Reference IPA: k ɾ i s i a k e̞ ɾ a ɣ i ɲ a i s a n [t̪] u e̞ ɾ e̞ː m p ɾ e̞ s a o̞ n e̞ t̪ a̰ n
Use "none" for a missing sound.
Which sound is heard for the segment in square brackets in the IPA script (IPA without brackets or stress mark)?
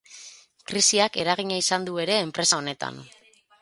d̪